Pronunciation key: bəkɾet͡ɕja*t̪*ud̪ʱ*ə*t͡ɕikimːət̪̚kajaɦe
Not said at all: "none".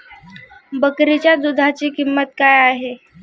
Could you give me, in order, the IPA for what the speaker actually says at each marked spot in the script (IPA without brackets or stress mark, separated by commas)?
d̪, a